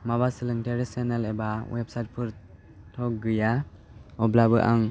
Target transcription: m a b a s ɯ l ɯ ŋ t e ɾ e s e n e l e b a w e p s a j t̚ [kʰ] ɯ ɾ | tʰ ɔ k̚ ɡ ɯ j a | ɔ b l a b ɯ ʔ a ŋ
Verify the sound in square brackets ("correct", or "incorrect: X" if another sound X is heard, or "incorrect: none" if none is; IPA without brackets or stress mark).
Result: incorrect: pʰ